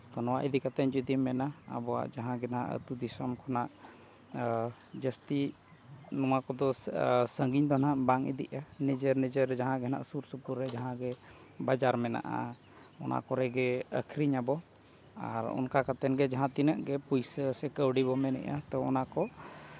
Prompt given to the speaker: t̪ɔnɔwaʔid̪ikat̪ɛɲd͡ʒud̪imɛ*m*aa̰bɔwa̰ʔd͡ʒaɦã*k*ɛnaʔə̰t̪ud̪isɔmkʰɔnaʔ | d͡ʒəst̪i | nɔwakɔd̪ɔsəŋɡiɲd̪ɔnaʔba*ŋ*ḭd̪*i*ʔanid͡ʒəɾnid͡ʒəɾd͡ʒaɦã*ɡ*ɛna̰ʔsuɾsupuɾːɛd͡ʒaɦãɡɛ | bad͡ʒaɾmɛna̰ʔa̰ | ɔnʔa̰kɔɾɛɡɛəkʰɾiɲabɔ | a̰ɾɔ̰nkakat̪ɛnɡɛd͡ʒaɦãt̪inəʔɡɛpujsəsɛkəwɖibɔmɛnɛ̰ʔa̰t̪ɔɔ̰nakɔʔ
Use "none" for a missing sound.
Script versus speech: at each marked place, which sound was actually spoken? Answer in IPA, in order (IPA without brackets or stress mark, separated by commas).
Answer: n, ɡ, ŋ, i, ɡ